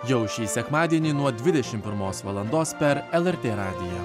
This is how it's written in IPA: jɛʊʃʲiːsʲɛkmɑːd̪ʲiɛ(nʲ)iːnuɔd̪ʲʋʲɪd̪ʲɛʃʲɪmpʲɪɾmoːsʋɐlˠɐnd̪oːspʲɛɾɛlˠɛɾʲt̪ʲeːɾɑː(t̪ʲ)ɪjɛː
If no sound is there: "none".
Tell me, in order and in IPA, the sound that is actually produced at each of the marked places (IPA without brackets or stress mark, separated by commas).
nʲ, d̪ʲ